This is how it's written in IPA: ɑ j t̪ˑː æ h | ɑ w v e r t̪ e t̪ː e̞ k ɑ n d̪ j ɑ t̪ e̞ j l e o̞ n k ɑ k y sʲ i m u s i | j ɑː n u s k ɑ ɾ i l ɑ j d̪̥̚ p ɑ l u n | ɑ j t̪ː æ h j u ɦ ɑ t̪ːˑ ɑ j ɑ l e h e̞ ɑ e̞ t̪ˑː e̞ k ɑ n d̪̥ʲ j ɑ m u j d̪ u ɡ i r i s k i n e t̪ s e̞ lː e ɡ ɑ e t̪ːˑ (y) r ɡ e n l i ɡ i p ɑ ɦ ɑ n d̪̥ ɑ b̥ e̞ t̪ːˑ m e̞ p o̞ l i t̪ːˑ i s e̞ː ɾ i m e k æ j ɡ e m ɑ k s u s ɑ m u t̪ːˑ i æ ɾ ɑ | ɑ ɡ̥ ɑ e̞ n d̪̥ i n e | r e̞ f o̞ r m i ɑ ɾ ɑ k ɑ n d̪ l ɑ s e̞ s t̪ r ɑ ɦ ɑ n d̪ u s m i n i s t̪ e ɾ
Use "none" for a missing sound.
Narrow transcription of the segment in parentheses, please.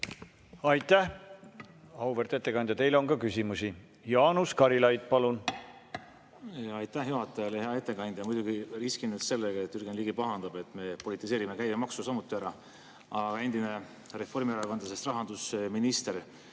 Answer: y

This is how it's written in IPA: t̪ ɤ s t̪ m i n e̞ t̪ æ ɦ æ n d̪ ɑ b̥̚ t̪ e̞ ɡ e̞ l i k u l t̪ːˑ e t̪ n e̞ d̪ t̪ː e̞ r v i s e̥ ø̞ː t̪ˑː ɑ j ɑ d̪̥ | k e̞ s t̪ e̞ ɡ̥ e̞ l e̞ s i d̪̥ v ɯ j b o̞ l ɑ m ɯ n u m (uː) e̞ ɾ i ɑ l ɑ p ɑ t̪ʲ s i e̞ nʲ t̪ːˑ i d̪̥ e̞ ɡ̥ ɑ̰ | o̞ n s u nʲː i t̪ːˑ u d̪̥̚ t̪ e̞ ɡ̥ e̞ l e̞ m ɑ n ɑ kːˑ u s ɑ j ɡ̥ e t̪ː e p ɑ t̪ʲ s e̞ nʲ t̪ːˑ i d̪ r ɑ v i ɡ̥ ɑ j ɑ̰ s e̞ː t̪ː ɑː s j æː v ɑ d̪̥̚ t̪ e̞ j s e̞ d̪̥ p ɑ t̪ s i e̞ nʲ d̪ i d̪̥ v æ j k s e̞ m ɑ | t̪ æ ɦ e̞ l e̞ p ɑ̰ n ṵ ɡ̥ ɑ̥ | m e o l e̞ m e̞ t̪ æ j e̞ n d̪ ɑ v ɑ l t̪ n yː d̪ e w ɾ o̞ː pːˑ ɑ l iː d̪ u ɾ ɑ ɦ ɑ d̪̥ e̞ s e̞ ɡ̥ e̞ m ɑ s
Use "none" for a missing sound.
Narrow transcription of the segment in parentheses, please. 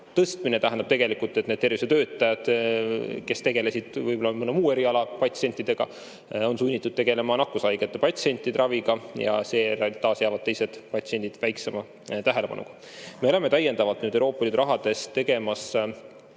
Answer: uː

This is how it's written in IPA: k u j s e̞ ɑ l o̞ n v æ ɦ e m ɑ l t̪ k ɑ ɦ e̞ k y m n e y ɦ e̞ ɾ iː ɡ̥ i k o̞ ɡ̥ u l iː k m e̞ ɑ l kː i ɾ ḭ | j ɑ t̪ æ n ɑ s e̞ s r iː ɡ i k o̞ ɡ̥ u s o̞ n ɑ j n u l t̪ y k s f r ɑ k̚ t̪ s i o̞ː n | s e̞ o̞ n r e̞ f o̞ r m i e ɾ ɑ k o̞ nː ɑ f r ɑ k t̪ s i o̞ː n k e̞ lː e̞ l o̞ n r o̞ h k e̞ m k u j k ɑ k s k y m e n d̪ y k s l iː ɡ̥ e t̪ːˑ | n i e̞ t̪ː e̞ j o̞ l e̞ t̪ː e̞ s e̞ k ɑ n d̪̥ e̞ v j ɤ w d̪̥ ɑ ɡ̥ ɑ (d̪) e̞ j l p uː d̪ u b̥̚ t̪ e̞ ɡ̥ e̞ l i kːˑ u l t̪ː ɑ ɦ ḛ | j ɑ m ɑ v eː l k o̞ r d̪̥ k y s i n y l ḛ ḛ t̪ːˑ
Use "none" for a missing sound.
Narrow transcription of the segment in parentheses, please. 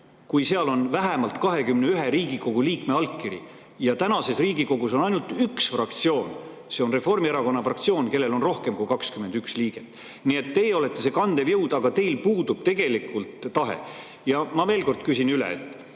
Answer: t̪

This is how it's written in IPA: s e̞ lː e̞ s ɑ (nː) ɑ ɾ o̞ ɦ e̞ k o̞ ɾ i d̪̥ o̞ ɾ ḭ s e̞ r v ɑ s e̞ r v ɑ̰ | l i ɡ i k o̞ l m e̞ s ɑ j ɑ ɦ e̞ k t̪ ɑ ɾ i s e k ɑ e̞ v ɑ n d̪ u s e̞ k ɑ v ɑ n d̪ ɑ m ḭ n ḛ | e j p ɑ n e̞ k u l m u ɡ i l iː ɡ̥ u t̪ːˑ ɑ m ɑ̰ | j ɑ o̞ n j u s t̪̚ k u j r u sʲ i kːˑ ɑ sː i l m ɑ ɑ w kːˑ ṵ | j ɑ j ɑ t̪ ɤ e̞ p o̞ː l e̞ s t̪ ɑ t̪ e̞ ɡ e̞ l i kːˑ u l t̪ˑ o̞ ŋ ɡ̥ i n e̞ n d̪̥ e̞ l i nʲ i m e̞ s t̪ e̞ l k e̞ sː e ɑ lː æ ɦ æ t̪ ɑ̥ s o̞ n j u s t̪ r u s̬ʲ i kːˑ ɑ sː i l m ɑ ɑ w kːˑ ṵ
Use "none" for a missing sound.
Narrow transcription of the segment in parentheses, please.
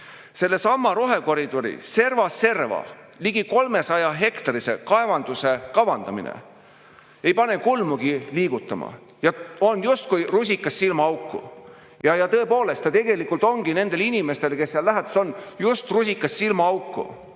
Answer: mː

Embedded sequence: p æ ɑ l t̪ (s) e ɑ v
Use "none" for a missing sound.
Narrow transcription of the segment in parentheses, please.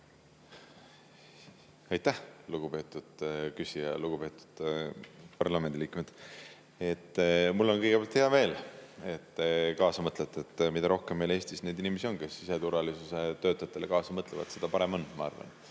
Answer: h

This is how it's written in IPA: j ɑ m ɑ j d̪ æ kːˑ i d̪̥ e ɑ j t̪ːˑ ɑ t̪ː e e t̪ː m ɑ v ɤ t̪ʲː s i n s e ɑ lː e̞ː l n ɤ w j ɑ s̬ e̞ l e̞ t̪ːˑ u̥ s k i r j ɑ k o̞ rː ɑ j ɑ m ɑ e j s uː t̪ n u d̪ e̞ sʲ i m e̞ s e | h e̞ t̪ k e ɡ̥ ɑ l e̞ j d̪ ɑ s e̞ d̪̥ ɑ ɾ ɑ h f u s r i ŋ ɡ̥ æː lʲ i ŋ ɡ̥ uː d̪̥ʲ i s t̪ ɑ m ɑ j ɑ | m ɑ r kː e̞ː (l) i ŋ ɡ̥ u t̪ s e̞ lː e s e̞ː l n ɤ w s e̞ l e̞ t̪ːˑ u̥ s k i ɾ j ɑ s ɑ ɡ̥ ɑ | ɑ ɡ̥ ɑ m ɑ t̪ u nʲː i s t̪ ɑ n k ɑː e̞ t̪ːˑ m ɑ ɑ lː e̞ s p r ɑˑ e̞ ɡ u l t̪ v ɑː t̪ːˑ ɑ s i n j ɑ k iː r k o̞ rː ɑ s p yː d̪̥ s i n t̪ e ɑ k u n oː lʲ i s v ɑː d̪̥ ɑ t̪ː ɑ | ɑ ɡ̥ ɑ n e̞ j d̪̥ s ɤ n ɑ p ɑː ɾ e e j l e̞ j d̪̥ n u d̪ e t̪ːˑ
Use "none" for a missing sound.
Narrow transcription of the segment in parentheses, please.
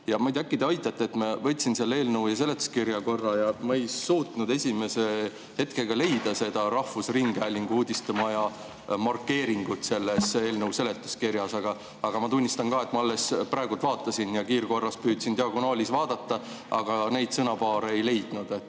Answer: ɾ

